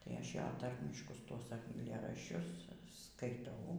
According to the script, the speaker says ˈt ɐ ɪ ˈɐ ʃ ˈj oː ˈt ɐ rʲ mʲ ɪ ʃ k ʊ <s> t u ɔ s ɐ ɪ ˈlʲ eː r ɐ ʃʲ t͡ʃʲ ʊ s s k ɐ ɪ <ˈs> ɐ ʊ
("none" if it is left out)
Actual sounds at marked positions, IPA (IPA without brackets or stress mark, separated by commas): s, t